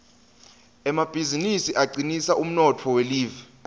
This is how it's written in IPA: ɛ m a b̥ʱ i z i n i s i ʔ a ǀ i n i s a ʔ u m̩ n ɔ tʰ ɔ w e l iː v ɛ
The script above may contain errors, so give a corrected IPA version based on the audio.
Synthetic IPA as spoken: ɛ m a b̥ʱ i z i n i s i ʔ a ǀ i n i s a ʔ u m̩ n ɔ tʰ ɔ w e l iː v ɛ

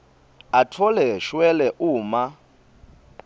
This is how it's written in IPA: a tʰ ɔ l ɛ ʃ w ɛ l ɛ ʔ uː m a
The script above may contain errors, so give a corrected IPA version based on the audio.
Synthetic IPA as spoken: a tʰ ɔ l ɛ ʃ w ɛ l ɛ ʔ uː m a

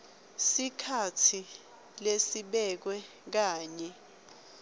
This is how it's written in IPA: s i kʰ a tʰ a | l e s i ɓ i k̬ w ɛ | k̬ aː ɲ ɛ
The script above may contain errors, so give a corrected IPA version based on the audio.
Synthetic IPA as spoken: s i kʰ a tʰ i | l e s i ɓ ɛ k̬ w ɛ | k̬ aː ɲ ɛ

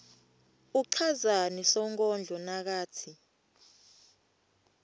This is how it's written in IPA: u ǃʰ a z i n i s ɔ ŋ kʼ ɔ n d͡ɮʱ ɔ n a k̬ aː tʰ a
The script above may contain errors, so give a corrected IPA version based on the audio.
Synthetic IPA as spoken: u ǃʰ a z a n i s ɔ ŋ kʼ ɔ n d͡ɮʱ ɔ n a k̬ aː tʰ i

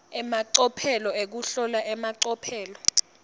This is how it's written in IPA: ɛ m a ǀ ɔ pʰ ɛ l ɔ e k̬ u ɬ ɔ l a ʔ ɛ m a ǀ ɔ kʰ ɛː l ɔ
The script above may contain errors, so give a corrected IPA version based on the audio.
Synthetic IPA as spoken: ɛ m a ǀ ɔ pʰ ɛ l ɔ e k̬ u ɬ ɔ l a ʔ ɛ m a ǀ ɔ pʰ ɛː l ɔ

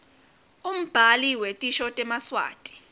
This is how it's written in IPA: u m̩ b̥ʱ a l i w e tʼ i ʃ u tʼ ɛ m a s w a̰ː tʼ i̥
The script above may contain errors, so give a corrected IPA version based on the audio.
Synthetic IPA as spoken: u m̩ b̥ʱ a l i w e tʼ i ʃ ɔ tʼ ɛ m a s w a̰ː tʼ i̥

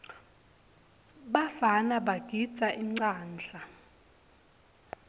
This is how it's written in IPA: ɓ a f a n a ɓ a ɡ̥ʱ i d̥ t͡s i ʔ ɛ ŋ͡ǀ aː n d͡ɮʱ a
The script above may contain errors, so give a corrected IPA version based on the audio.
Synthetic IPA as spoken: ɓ a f a n a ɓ a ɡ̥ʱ i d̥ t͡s a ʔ i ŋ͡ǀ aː n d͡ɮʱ a

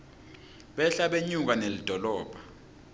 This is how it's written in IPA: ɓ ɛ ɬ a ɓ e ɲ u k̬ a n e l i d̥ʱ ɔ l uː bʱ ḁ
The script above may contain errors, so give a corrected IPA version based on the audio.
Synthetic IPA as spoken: ɓ ɛ ɬ a ɓ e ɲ u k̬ a n e l i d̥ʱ ɔ l ɔː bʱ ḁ

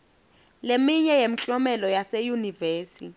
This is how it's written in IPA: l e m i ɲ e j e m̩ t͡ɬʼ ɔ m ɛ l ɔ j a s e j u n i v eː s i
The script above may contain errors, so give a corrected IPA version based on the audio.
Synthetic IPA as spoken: l e m i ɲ ɛ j e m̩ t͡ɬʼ ɔ m ɛ l ɔ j a s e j u n i v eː s i

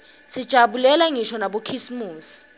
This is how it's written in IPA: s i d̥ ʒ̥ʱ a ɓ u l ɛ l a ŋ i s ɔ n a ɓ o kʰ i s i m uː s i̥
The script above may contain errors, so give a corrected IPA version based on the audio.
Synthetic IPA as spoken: s i d̥ ʒ̥ʱ a ɓ u l ɛ l a ŋ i ʃ ɔ n a ɓ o kʰ i s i m uː s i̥

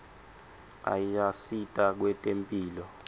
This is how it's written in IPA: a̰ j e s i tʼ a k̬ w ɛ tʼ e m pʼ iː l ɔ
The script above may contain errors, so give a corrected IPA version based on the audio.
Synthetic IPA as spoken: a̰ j a s i tʼ a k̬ w ɛ tʼ e m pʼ iː l ɔ

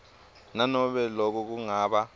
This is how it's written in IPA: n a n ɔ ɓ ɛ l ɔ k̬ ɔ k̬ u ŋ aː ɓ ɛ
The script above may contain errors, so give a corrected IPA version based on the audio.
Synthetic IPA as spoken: n a n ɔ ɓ ɛ l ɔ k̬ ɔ k̬ u ŋ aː ɓ a

